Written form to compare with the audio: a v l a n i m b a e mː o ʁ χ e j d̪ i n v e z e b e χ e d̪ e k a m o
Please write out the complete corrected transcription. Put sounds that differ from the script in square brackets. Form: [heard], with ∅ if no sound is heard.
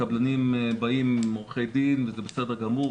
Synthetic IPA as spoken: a [b] l a n i m b a [i] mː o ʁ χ e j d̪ i n v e z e b e [s] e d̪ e [ɡ] a m [u]